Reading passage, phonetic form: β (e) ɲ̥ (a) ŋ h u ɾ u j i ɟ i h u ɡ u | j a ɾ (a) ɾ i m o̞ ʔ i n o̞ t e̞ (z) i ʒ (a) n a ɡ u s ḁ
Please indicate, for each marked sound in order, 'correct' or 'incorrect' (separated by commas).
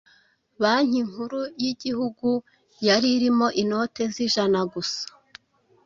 incorrect, incorrect, incorrect, correct, correct